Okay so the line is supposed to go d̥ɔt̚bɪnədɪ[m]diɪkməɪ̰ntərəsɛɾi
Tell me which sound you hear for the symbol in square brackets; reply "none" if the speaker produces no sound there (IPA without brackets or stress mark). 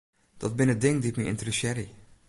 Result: ŋ